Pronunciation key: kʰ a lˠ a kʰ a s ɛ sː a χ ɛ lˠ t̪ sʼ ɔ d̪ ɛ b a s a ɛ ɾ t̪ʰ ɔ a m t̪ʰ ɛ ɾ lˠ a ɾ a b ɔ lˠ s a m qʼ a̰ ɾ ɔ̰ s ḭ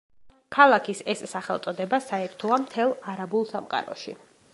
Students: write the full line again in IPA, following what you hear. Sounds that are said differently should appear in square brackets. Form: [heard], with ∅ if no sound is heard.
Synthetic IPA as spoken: kʰ a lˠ a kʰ [i] s ɛ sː a χ ɛ lˠ t̪ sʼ ɔ d̪ ɛ b a s a ɛ ɾ t̪ʰ ɔ a m t̪ʰ ɛ [∅] lˠ a ɾ a b [u] lˠ s a m qʼ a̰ ɾ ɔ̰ [ʃ] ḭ

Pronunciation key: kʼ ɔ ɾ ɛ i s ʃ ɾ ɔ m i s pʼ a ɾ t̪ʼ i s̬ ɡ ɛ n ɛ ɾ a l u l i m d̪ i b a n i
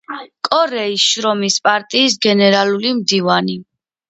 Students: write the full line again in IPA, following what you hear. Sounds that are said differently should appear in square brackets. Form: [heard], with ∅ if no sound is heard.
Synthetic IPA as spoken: kʼ ɔ ɾ ɛ i s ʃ ɾ ɔ m i s pʼ a ɾ t̪ʼ [iː] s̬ ɡ ɛ n ɛ ɾ a l u l i m d̪ i [v] a n i

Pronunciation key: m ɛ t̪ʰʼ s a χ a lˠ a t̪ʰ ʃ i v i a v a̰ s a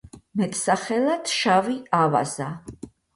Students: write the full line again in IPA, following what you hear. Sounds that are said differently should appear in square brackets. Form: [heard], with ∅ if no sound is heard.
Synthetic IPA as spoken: m ɛ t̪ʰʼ s a χ [ɛ] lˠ a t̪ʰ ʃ [a] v i a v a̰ [z] a

